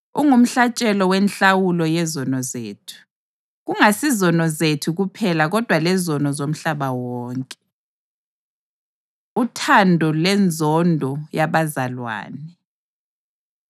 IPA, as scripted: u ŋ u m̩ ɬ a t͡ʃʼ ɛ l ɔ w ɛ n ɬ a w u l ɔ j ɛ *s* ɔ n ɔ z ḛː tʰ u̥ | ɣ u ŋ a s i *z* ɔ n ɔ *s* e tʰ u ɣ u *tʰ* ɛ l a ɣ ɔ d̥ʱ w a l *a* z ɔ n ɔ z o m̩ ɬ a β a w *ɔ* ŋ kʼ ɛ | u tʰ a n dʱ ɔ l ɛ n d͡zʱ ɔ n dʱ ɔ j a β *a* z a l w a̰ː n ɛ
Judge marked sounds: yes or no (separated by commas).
no, yes, no, no, no, no, yes